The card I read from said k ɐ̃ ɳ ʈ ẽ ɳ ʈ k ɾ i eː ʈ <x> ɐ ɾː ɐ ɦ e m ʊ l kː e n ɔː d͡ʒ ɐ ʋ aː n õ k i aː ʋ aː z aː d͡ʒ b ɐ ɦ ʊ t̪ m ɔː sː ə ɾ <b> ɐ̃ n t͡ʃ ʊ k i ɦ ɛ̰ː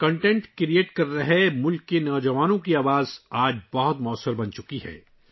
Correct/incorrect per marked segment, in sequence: incorrect, correct

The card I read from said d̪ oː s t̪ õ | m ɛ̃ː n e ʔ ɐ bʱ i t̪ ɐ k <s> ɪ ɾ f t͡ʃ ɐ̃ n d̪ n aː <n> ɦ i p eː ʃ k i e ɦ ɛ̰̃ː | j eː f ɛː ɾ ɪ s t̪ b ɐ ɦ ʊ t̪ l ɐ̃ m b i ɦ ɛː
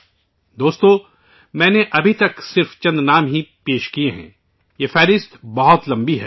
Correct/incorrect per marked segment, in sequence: correct, incorrect

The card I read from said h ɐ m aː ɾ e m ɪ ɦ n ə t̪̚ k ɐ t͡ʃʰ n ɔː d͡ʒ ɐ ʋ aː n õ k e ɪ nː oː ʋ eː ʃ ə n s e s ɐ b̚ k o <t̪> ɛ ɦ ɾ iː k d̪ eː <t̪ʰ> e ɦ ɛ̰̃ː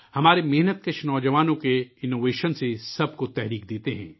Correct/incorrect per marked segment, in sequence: correct, incorrect

